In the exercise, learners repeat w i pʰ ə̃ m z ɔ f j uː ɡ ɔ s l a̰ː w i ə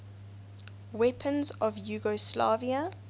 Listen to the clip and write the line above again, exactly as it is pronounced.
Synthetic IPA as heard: w ɛ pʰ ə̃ n z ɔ v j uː ɡ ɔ s l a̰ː v i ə